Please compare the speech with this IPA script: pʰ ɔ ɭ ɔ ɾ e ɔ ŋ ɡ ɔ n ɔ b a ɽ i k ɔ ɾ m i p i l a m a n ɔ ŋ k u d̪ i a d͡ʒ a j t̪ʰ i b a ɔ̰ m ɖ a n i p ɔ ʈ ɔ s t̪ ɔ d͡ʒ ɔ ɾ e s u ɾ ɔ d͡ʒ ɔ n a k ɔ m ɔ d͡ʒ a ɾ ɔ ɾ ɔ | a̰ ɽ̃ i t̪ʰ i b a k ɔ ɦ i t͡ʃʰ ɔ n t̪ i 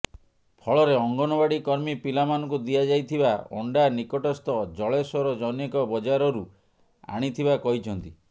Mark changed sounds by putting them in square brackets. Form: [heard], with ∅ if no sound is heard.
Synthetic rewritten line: pʰ ɔ ɭ ɔ ɾ e ɔ ŋ ɡ ɔ n ɔ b a ɽ i k ɔ ɾ m i p i l a m a n ɔ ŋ k u d̪ i a d͡ʒ a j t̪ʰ i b a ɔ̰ [ɳ] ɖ a n i [k] ɔ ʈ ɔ s t̪ ɔ d͡ʒ ɔ [ɭ] e s [ɔ] ɾ ɔ d͡ʒ ɔ n [e] k ɔ [b] ɔ d͡ʒ a ɾ ɔ ɾ [u] | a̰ ɽ̃ i t̪ʰ i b a k ɔ ɦ i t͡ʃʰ ɔ n t̪ i